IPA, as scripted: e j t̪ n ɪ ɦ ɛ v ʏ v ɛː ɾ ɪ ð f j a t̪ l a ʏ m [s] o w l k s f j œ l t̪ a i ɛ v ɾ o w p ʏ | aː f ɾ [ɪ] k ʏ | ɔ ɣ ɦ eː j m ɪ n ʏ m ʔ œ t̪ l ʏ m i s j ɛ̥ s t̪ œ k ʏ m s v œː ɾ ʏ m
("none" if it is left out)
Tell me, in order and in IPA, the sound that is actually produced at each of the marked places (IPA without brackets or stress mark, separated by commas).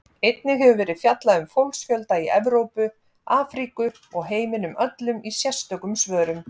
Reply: f, i